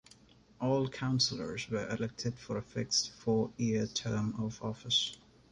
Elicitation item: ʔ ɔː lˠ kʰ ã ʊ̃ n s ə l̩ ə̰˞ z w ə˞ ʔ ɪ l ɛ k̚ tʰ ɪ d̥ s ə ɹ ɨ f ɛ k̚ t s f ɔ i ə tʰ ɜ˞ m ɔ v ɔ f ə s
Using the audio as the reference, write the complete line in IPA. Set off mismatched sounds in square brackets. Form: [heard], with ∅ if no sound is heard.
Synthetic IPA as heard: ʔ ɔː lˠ kʰ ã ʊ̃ n s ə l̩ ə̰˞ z w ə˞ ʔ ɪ l ɛ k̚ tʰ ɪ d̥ [f] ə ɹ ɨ f ɛ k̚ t s f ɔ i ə tʰ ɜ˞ m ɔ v ɔ f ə s